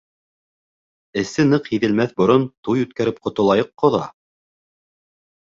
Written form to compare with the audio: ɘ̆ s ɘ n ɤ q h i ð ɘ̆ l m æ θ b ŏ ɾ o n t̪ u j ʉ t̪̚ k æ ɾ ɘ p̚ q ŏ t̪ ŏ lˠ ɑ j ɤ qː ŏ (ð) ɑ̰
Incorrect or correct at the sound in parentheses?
correct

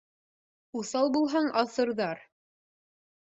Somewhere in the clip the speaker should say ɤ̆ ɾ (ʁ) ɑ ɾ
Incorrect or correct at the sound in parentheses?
incorrect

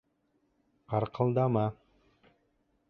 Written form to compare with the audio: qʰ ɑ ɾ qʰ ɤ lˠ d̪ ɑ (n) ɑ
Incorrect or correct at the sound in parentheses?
incorrect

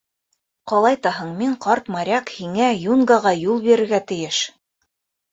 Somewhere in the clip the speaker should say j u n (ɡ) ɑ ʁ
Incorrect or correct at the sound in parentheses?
correct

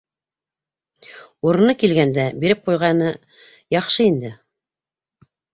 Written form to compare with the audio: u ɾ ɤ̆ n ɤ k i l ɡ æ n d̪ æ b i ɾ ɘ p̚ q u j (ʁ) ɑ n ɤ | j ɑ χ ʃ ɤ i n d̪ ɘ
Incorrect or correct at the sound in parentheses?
correct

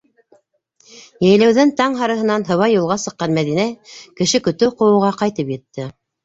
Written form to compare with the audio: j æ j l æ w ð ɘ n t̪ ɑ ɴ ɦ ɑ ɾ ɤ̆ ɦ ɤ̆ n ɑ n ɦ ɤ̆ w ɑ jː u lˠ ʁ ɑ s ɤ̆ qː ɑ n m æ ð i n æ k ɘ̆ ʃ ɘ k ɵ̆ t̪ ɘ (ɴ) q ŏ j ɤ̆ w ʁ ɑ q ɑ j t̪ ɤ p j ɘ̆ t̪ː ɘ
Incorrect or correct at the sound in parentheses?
incorrect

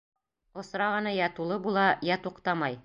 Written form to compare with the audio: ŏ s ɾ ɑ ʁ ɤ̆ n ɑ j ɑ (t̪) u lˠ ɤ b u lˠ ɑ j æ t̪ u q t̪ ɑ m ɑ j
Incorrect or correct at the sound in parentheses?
correct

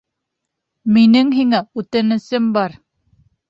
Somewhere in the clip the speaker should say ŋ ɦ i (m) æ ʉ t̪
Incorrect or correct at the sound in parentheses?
incorrect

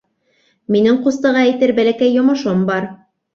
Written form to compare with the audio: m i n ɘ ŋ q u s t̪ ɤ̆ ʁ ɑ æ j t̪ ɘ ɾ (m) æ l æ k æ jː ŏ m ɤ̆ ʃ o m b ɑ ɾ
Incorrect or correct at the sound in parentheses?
incorrect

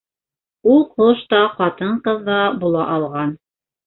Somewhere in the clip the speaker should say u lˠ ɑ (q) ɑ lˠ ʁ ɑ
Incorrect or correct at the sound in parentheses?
incorrect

